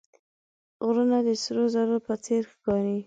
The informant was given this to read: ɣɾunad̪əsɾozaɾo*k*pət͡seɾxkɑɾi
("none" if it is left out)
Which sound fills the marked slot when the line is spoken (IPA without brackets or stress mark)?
none